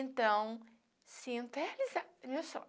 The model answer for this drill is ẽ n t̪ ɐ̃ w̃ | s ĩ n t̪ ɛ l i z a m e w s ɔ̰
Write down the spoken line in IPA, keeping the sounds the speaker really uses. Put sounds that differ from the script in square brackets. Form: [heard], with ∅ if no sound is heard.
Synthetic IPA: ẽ n t̪ ɐ̃ w̃ | s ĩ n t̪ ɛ l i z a m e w s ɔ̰